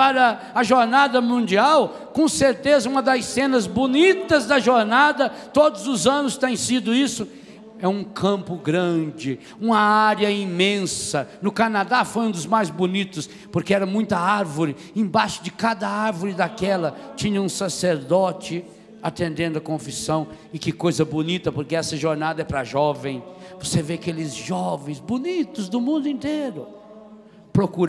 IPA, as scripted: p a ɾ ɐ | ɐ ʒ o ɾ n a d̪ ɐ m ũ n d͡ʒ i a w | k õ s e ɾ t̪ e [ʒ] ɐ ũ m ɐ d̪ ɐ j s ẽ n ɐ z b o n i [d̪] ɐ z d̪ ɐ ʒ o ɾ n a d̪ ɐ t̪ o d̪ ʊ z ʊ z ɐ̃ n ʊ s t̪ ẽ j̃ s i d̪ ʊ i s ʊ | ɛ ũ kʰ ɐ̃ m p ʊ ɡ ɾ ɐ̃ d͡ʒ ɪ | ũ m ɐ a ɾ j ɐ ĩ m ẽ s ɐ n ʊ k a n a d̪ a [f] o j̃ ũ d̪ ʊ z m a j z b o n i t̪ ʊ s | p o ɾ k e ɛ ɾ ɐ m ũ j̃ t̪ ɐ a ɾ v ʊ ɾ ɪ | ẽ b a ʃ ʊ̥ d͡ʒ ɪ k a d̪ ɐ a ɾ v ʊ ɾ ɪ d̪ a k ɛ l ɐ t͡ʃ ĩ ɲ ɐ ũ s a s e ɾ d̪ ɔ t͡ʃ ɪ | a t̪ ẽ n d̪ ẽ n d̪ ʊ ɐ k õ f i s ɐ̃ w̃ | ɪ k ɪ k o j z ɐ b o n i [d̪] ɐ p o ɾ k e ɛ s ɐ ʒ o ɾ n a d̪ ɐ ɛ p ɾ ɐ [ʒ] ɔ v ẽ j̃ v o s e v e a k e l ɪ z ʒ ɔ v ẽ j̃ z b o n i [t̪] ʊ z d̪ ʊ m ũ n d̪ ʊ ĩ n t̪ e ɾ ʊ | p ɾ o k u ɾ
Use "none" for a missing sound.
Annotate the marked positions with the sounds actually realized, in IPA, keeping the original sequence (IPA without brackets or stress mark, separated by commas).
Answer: z, t̪, f, t̪, ʒ, t̪